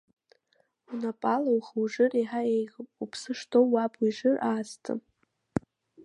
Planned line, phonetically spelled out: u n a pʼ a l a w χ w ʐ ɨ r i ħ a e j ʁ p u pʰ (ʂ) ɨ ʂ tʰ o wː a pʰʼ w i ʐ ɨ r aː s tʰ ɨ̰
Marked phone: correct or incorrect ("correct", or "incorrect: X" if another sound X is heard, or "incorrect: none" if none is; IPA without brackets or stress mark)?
incorrect: s